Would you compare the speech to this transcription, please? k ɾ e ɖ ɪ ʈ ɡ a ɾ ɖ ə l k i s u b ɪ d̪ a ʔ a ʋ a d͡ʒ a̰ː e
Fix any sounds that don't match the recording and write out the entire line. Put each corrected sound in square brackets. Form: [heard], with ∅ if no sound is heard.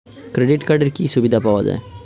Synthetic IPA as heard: k ɾ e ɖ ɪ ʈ [k] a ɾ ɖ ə [ɾ] k i s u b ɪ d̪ a [p] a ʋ a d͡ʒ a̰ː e